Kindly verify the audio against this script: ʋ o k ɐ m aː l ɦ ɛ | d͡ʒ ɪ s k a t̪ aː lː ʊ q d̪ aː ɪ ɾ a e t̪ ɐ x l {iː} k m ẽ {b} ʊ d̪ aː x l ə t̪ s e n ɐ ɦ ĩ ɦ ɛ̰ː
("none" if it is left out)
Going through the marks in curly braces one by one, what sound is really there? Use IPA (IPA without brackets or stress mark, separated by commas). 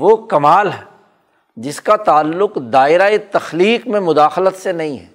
iː, m